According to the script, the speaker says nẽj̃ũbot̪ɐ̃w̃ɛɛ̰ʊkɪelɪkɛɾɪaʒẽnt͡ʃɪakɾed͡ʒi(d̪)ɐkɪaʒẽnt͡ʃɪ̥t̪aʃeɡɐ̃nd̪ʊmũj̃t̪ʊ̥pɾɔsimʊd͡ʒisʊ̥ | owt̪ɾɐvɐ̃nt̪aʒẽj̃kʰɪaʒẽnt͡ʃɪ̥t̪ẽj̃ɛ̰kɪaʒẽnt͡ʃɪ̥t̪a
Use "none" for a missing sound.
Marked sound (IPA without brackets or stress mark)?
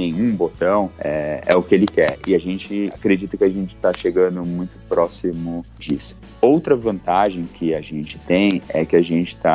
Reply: t̪